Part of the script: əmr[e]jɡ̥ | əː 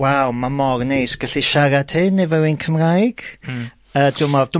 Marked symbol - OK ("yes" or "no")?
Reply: no